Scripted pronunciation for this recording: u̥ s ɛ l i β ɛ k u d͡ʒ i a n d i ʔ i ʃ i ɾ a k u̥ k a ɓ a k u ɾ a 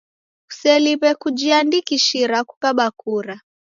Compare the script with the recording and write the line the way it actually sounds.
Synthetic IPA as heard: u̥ s ɛ l i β ɛ k u d͡ʒ i a n d i k i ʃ i ɾ a k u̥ k a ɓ a k u ɾ a